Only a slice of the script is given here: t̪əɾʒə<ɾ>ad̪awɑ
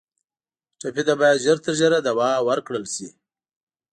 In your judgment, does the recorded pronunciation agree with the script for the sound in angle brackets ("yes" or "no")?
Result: yes